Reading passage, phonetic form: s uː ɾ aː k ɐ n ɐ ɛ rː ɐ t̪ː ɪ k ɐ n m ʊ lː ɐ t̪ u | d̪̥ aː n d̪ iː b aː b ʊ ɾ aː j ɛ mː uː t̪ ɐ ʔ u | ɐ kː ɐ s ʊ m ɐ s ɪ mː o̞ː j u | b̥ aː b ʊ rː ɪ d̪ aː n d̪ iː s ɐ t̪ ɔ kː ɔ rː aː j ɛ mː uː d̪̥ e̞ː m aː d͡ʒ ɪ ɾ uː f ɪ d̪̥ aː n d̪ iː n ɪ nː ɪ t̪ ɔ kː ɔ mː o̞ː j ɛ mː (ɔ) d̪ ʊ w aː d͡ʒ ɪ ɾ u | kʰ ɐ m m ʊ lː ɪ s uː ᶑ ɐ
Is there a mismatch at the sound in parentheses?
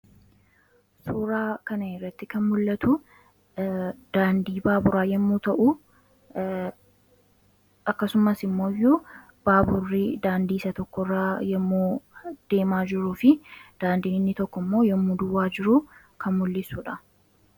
yes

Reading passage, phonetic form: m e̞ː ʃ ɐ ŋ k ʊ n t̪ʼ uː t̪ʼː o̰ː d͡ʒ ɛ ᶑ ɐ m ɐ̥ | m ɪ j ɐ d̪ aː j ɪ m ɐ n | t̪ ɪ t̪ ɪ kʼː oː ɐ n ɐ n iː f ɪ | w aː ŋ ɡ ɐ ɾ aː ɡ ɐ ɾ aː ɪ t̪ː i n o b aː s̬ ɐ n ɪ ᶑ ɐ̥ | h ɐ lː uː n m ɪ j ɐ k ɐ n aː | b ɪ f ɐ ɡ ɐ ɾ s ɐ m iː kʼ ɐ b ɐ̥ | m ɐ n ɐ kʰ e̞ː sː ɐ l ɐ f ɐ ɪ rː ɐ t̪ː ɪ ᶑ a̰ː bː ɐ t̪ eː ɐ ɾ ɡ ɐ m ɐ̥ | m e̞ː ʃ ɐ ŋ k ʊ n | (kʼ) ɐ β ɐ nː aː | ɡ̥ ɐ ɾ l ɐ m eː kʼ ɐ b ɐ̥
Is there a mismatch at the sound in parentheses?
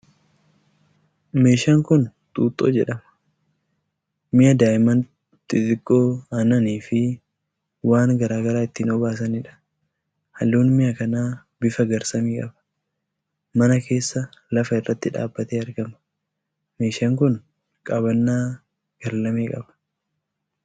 no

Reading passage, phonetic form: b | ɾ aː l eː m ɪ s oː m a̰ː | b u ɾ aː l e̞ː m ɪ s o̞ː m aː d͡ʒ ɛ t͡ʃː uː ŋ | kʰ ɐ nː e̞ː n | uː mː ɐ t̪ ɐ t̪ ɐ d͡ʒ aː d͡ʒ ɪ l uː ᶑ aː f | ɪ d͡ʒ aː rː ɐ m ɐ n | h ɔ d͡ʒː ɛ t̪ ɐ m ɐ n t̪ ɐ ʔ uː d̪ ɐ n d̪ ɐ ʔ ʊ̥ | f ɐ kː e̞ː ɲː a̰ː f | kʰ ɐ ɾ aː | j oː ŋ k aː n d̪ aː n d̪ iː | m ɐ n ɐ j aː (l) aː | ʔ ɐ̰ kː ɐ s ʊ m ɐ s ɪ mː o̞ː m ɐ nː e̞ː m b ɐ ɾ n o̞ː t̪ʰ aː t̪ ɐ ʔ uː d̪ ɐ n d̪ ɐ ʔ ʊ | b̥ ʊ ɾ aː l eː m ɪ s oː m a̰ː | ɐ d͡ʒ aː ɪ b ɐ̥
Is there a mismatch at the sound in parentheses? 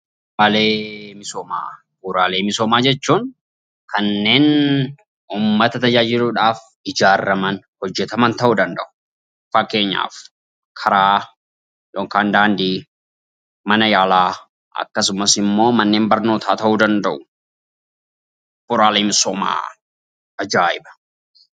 no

